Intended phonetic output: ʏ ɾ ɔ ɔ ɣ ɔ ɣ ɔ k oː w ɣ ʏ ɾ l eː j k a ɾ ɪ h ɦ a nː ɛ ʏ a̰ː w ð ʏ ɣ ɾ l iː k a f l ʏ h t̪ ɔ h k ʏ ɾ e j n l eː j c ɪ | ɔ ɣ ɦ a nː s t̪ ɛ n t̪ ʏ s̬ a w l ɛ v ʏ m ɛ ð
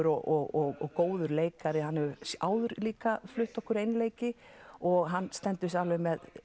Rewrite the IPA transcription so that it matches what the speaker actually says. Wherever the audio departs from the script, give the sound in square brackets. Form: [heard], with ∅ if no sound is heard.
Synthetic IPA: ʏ ɾ ɔ ɔ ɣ ɔ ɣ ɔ k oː w [ð] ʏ ɾ l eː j k a ɾ ɪ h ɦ a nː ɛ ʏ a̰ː w ð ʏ [∅] ɾ l iː k a f l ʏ h t̪ ɔ h k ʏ ɾ e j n l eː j c ɪ | ɔ ɣ ɦ a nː s t̪ ɛ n t̪ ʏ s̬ a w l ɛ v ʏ m ɛ ð